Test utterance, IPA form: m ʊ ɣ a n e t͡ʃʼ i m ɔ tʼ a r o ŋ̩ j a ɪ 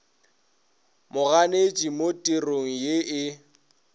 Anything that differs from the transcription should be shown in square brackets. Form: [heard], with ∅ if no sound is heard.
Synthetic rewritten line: m ʊ ɣ a n e t͡ʃʼ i m [o] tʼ [i] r o ŋ̩ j [e] ɪ

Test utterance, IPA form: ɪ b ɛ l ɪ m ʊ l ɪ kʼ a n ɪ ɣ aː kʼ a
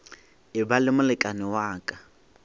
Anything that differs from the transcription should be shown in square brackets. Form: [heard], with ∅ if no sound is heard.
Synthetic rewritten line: ɪ b [a] l ɪ m ʊ l ɪ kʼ a n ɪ [w] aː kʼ a

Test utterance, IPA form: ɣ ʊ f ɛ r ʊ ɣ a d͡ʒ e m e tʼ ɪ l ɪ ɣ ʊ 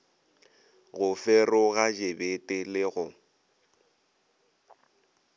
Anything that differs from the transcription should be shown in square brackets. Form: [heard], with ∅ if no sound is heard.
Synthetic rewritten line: ɣ ʊ f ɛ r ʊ ɣ a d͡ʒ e [b] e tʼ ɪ l ɪ ɣ ʊ

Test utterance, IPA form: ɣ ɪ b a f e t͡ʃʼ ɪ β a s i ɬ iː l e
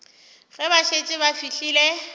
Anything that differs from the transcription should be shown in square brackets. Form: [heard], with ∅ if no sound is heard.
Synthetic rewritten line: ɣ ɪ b a [ʃ] e t͡ʃʼ ɪ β a [f] i ɬ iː l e

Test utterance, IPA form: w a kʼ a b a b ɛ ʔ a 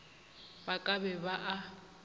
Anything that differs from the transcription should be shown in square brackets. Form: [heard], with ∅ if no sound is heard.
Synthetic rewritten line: [b] a kʼ a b [ɛ] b [a] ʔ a

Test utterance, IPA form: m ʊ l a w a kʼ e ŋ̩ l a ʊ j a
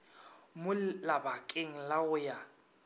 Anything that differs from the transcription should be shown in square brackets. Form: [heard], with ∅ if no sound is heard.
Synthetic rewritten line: m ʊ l a [b] a kʼ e ŋ̩ l a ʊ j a

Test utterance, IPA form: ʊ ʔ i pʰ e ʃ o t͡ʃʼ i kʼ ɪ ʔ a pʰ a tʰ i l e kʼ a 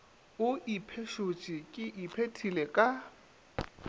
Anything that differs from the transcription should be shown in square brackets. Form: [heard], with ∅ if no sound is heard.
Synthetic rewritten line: ʊ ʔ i pʰ e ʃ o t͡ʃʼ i kʼ ɪ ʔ [i] pʰ [e] tʰ i l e kʼ a

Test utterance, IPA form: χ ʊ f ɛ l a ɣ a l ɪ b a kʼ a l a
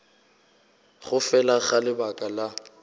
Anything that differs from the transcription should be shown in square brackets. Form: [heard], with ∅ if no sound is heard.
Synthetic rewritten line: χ ʊ f ɛ l a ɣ a l ɪ b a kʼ a l a

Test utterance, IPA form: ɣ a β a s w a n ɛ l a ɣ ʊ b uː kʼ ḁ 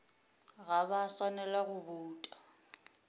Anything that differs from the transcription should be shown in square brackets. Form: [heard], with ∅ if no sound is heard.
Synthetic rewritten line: ɣ a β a s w a n ɛ l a ɣ ʊ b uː [tʼ] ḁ

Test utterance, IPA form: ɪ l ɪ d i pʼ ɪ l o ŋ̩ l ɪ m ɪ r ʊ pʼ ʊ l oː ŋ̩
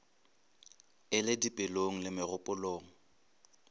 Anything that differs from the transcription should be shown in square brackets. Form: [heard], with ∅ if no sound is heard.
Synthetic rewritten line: ɪ l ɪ d i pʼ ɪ l o ŋ̩ l ɪ m ɪ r ʊ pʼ ʊ l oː ŋ̩

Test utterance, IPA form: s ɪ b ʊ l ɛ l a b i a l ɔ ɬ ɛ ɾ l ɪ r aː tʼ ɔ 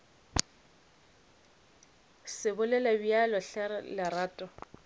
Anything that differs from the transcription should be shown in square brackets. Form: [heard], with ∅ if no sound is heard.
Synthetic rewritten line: s ɪ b ʊ l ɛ l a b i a l ɔ ɬ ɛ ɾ l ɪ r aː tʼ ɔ

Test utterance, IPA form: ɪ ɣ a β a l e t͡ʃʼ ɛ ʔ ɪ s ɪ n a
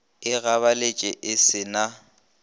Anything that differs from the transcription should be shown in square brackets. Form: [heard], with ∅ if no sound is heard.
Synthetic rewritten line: ɪ ɣ a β a l e t͡ʃʼ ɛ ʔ ɪ s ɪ n a

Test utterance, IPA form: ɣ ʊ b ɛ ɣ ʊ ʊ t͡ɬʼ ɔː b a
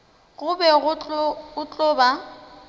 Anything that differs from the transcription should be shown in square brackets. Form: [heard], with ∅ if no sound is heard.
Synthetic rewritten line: ɣ ʊ b ɛ ɣ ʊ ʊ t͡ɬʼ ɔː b a

